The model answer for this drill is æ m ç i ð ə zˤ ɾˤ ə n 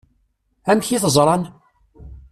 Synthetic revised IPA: æ m ç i θ ə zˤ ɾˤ ɑ n